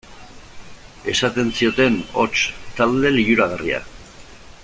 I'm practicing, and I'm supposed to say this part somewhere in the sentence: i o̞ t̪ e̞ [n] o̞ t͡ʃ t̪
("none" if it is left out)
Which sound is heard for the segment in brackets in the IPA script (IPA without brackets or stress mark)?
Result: n